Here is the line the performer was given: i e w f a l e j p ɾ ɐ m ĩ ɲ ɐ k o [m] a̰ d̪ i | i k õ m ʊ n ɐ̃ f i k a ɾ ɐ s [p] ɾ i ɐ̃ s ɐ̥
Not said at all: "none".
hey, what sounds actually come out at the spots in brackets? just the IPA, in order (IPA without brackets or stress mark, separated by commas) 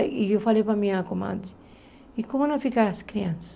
m, k